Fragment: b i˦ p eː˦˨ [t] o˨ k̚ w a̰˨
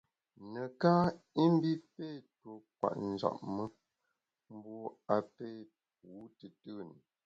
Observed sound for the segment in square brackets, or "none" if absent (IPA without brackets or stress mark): t